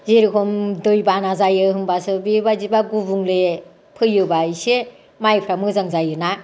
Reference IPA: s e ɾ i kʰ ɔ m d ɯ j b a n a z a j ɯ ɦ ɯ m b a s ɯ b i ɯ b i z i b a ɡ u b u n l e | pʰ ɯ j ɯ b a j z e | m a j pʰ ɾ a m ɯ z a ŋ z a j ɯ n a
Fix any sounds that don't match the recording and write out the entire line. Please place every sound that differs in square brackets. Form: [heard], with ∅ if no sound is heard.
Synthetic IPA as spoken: [z] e ɾ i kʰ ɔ m d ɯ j b a n a z a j ɯ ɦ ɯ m b a s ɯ b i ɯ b [a] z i b a ɡ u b u [ŋ] l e | pʰ ɯ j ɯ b a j [s] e | m a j pʰ ɾ a m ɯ z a ŋ z a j ɯ n a